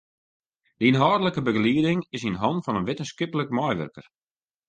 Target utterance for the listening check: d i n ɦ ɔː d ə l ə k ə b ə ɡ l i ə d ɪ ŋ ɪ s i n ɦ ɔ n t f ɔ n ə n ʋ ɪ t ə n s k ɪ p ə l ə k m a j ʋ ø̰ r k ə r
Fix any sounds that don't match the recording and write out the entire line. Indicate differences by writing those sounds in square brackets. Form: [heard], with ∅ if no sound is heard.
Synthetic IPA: d i n ɦ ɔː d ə l ə k ə b ə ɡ l i ə d ɪ ŋ ɪ s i n ɦ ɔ n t f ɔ n ə n ʋ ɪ t ə n s k ɪ p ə l ə k m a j ʋ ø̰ r k ə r